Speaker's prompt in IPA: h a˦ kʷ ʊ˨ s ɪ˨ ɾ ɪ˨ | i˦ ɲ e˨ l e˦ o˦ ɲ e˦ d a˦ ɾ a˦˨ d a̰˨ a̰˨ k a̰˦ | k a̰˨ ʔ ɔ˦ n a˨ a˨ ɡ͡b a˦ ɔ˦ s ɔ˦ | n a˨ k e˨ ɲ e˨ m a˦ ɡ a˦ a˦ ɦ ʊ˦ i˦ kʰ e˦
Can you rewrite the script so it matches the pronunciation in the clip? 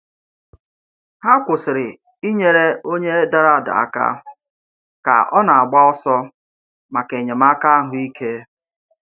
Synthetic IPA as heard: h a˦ kʷ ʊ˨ s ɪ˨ ɾ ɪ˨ | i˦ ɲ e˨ ɾ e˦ o˦ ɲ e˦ d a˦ ɾ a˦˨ d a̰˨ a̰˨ k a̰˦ | k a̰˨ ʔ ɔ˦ n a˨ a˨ ɡ͡b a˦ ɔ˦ s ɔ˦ | m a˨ k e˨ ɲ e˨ m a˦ k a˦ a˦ ɦ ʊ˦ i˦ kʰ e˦

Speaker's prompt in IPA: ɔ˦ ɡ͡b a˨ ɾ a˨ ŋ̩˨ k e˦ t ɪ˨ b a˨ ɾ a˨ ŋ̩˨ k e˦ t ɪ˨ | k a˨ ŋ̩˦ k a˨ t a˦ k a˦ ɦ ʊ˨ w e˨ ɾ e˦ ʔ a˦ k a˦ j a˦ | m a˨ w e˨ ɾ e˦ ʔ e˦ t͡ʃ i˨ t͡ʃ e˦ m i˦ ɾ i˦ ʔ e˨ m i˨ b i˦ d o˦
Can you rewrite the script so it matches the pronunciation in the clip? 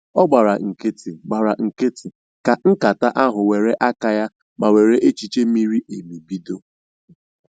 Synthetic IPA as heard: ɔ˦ ɡ͡b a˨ ɾ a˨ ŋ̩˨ k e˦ t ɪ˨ ɡ͡b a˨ ɾ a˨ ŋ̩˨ k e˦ t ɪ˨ | k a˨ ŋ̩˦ k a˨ t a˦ ʔ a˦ ɦ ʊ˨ w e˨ ɾ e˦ ʔ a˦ k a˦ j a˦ | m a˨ w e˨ ɾ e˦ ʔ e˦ t͡ʃ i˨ t͡ʃ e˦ m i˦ ɾ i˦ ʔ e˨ m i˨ b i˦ d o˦

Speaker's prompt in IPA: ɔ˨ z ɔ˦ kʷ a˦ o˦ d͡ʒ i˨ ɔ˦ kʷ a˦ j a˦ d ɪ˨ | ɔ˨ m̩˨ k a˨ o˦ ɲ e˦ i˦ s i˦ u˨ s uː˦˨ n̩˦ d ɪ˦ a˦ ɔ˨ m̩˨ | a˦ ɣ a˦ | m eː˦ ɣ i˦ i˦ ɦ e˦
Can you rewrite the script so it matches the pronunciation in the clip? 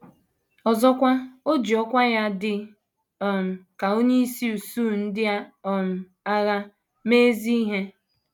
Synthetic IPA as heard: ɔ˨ z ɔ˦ kʷ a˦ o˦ d͡ʒ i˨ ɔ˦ kʷ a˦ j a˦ d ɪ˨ | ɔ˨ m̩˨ k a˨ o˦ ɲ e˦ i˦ s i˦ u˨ s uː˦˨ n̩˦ d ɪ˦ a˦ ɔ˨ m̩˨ | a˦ ɣ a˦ | m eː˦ z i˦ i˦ ɦ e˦

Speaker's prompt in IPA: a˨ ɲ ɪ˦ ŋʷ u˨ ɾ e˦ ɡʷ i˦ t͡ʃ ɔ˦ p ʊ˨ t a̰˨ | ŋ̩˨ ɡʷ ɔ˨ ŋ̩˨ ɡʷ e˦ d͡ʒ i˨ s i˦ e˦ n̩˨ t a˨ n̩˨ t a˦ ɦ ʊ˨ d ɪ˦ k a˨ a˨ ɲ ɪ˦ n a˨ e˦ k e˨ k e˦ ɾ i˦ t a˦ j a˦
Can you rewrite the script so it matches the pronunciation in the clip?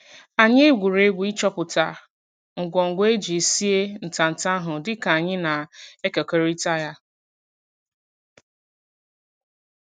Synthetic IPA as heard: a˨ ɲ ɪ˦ ɡʷ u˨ ɾ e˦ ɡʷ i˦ t͡ʃ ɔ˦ p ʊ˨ t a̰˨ | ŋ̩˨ ɡʷ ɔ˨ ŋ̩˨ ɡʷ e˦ d͡ʒ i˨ s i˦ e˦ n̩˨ t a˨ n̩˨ t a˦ ɦ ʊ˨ d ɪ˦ k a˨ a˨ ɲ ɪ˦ n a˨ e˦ k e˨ k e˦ ɾ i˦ t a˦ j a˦

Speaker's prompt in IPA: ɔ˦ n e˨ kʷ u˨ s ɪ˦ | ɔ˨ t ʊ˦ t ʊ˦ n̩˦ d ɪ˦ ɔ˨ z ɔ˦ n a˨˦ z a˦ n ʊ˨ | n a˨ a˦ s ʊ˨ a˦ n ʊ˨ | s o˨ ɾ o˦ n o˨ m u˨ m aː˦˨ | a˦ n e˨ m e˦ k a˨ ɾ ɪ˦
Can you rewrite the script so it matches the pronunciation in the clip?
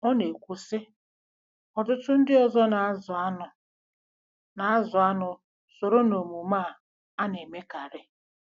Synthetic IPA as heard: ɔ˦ n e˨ kʷ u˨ s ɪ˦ | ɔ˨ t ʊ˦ t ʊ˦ n̩˦ d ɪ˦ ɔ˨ z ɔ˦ n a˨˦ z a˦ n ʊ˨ | n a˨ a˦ z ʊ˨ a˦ n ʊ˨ | s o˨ ɾ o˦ n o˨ m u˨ m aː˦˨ | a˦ n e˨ m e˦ k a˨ ɾ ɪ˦

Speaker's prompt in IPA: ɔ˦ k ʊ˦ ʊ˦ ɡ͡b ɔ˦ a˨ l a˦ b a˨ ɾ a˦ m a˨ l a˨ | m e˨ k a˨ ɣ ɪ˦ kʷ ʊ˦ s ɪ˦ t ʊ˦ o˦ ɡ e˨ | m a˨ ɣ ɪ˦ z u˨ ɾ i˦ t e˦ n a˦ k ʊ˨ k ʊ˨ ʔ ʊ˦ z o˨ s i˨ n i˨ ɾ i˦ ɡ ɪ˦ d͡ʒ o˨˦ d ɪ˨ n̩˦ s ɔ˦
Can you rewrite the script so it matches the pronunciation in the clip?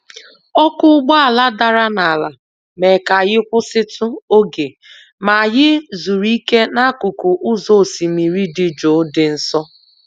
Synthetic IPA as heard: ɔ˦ k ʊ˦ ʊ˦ ɡ͡b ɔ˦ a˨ l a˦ d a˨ ɾ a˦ n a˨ l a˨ | m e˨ k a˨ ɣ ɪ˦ kʷ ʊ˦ s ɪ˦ t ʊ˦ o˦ ɡ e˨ | m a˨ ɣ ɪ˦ z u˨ ɾ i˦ k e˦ n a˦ k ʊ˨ k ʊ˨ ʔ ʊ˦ z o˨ s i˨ m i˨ ɾ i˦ d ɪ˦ d͡ʒ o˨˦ d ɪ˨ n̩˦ s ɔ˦

